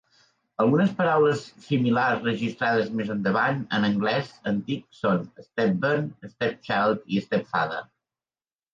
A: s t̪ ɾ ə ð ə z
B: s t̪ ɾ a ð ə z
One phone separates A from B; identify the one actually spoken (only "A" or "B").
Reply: B